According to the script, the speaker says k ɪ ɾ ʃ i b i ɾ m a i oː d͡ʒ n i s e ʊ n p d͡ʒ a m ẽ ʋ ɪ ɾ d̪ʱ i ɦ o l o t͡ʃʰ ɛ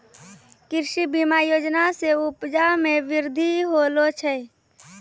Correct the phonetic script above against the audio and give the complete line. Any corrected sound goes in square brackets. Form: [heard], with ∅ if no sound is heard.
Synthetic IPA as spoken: k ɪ ɾ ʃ i b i [∅] m a [j] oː d͡ʒ n [a] s e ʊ [∅] p d͡ʒ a m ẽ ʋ ɪ ɾ d̪ʱ i ɦ o l o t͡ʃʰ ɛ